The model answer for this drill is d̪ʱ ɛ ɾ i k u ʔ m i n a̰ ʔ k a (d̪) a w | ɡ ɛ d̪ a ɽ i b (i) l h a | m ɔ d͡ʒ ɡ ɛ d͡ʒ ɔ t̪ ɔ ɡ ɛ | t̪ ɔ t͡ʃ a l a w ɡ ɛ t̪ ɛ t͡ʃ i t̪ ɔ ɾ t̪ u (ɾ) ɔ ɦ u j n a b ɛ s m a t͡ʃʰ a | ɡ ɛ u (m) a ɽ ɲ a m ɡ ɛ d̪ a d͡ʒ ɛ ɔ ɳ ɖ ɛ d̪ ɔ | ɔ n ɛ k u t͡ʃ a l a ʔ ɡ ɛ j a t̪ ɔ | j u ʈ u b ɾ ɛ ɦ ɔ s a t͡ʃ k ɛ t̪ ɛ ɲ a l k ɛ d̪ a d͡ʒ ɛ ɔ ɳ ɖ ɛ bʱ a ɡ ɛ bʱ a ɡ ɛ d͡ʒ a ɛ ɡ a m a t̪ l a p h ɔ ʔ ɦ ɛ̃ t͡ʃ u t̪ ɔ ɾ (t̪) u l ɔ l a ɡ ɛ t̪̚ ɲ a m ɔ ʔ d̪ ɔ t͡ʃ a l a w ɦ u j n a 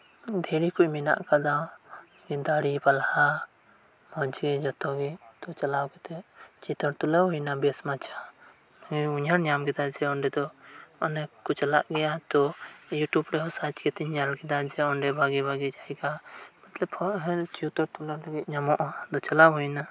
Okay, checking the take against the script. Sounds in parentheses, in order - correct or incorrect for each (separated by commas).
correct, incorrect, incorrect, incorrect, correct